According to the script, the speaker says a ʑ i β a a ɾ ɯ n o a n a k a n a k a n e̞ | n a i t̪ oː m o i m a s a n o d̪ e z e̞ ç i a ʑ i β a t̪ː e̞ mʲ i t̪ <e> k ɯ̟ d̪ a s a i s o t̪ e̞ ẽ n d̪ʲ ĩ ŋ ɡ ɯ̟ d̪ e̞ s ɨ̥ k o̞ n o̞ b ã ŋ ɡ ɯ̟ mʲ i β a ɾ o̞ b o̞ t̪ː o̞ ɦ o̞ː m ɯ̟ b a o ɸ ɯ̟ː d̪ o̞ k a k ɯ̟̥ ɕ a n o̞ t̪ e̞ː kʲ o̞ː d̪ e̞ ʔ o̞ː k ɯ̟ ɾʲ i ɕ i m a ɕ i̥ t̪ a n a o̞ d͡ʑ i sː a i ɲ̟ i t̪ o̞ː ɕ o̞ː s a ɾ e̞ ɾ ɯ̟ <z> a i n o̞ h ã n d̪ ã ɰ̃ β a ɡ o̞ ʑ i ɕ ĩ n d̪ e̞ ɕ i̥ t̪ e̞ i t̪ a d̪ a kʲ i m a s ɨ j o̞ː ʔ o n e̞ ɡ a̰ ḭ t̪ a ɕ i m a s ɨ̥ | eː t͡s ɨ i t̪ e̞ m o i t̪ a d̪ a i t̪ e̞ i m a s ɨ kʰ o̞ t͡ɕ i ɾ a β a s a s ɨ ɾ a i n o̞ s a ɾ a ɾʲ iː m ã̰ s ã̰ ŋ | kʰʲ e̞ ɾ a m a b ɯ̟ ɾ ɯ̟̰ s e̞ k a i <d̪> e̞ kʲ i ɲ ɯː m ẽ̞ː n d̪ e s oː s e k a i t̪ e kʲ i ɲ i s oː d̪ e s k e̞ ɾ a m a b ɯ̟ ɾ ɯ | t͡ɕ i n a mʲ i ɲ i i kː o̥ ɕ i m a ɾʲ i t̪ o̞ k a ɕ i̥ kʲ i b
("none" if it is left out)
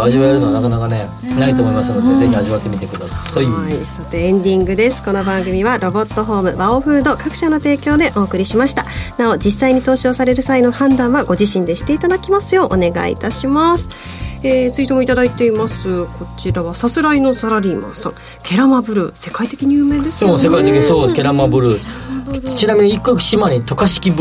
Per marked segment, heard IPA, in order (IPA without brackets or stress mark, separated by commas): e, s, t̪